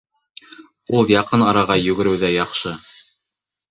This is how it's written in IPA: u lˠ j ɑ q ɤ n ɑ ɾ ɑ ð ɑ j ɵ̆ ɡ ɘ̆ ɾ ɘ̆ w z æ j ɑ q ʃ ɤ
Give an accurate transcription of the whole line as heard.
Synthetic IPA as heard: u lˠ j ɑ q ɤ n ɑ ɾ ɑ ʁ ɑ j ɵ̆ ɡ ɘ̆ ɾ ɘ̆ w ð æ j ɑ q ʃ ɤ